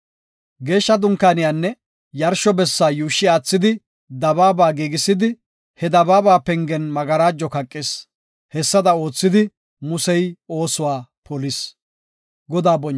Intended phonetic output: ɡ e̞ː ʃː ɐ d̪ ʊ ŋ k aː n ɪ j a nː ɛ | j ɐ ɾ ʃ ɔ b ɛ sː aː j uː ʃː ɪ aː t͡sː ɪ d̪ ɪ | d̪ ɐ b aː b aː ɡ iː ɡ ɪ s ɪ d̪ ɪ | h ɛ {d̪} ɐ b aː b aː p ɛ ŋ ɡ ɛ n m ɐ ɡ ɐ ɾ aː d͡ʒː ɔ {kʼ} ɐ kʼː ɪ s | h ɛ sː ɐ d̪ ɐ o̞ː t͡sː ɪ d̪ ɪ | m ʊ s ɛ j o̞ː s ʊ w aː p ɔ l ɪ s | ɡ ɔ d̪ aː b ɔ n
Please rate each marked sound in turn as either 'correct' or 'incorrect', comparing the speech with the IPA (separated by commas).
correct, incorrect